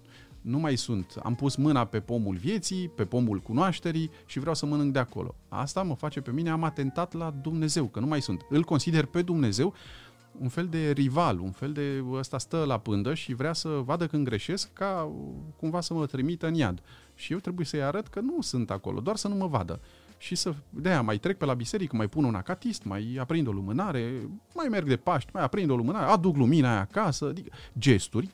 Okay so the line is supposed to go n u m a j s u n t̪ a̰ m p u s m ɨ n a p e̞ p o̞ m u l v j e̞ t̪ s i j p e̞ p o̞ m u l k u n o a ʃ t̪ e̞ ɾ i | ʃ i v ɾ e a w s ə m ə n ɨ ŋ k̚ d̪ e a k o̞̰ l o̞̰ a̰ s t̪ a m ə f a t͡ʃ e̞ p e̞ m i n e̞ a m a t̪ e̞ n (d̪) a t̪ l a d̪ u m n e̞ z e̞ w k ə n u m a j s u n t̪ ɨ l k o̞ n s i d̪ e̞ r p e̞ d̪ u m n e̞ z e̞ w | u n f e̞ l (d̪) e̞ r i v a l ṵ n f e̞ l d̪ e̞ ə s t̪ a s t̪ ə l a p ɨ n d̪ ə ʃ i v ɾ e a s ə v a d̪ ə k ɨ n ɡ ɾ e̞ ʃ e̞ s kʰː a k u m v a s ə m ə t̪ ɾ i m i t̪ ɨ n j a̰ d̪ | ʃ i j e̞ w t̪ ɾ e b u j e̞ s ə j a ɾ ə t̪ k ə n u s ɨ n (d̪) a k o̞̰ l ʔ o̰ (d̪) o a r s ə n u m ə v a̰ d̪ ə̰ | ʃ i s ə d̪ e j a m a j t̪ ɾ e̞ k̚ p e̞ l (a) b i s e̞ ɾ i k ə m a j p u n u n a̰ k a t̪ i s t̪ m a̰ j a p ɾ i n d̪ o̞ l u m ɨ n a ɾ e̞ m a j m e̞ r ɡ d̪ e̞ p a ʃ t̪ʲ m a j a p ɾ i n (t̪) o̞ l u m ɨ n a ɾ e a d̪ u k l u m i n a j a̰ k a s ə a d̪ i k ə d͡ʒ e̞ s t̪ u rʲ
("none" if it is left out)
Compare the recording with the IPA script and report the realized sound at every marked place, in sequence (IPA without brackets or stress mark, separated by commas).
t̪, d̪, t̪, d̪, a, d̪